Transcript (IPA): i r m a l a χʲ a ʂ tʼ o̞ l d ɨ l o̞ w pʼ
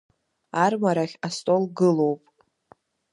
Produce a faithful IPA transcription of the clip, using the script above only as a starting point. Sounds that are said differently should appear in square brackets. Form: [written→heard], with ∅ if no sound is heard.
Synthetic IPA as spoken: [i→a] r m a [l→ɾ] a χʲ a [ʂ→s] tʼ o̞ l [d→ɡ] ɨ l o̞ w pʼ